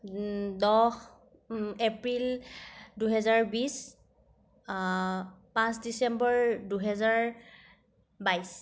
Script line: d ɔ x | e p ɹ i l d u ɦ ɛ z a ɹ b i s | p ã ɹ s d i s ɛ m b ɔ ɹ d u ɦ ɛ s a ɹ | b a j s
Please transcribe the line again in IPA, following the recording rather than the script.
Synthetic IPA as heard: d ɔ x | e p ɹ i l d u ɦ ɛ z a ɹ b i s | p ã s d i s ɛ m b ɔ ɹ d u ɦ ɛ z a ɹ | b a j s